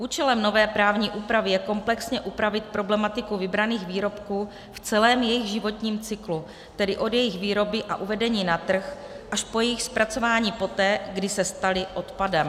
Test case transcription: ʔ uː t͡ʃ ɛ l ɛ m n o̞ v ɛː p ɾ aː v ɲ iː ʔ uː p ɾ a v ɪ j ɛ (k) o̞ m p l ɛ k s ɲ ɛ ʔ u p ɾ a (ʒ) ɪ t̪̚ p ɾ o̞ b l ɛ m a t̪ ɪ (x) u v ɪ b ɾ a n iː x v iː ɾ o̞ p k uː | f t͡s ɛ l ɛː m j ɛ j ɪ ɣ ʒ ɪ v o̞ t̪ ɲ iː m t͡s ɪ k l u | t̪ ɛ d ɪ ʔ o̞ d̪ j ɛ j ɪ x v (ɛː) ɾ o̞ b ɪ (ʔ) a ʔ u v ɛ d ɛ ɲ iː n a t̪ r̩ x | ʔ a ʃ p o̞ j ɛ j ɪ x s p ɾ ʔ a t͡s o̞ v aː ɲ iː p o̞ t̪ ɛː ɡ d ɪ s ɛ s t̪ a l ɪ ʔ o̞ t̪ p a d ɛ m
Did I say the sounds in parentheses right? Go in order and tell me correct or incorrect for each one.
correct, incorrect: v, incorrect: k, incorrect: iː, correct

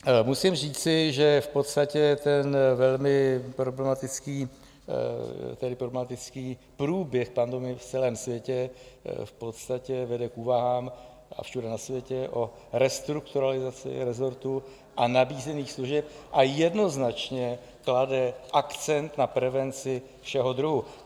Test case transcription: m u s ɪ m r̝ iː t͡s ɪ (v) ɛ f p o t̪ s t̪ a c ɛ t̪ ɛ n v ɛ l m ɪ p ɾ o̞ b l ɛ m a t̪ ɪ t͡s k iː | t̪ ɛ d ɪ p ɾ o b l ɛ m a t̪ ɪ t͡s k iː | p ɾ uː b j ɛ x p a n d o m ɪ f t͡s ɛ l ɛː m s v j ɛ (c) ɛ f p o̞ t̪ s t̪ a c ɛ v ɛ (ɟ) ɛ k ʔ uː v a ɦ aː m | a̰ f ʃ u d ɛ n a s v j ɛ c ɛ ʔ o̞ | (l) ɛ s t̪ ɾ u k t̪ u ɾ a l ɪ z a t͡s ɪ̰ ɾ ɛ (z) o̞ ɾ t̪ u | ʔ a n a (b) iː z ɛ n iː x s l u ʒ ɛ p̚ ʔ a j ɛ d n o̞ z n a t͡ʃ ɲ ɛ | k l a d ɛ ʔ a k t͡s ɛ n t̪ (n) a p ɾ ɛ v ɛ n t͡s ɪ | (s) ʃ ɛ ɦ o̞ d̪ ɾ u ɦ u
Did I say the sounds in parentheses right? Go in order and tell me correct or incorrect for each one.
incorrect: ʒ, correct, incorrect: d, incorrect: ɾ, correct, correct, correct, incorrect: f

